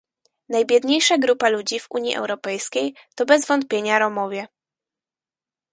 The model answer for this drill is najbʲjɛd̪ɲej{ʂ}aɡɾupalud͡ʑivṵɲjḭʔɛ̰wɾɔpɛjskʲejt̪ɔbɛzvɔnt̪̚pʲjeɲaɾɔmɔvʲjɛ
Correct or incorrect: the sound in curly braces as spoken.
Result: correct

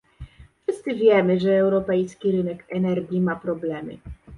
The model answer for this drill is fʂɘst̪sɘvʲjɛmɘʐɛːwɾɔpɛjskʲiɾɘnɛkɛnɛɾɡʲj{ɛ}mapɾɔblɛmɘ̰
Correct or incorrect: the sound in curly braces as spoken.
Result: incorrect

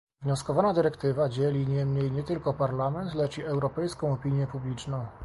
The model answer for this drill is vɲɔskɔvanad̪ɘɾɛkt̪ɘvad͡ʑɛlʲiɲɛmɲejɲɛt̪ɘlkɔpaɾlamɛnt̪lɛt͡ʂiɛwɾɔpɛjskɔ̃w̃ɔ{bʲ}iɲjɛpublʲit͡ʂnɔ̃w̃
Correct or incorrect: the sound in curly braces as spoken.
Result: incorrect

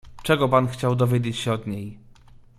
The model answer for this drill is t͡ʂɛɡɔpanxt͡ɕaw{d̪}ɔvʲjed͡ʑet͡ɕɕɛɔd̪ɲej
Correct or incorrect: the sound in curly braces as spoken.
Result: correct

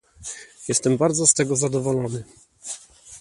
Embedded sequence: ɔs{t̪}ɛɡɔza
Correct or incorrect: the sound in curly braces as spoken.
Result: correct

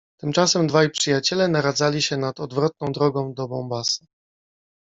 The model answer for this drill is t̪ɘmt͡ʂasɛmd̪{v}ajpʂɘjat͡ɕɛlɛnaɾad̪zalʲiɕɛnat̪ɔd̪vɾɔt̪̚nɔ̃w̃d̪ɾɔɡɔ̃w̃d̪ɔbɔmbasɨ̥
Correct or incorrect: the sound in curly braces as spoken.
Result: correct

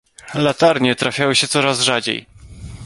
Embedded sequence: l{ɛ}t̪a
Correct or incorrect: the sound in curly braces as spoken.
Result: incorrect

